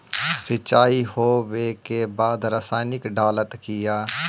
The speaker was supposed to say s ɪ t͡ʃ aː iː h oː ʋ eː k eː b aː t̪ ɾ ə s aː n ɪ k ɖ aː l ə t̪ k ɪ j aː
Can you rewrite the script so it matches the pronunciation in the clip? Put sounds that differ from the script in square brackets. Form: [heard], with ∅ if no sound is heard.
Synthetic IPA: s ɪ t͡ʃ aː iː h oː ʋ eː k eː b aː [d̪] ɾ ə s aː n ɪ k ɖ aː l ə t̪ k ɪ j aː